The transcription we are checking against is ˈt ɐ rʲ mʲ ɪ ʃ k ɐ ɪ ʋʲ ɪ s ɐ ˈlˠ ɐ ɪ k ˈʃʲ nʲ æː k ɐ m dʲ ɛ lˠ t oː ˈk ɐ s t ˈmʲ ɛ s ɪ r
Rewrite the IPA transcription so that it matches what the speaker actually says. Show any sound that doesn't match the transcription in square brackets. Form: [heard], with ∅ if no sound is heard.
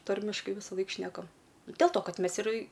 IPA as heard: ˈt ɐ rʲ mʲ ɪ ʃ k ɐ ɪ ʋʲ ɪ s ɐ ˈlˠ ɐ ɪ k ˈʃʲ nʲ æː k ɐ m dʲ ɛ lˠ t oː ˈk ɐ [∅] t ˈmʲ ɛ s ɪ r